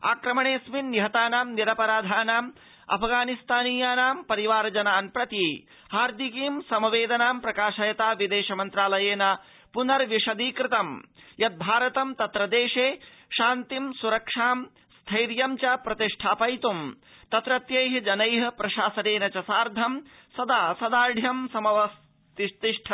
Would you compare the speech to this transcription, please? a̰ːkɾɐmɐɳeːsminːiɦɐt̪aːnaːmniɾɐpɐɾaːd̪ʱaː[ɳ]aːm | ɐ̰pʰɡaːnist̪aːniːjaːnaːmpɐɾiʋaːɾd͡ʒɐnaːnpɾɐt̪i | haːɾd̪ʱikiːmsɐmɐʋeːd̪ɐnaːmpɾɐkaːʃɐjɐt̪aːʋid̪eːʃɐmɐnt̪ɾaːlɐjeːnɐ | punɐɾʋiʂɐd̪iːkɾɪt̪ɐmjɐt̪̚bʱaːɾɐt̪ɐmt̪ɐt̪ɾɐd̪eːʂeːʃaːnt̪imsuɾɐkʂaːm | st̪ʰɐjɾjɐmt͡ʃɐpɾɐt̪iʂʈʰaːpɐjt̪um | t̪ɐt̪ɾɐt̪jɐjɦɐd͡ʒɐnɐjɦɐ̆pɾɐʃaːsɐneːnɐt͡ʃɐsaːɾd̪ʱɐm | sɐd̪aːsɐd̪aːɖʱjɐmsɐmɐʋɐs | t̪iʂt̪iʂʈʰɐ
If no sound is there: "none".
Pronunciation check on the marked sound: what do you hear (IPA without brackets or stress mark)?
n